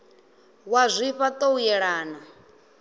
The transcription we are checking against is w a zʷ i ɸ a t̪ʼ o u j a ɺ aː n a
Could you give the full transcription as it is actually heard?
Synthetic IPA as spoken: w a zʷ i ɸ a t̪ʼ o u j ɛ ɺ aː n a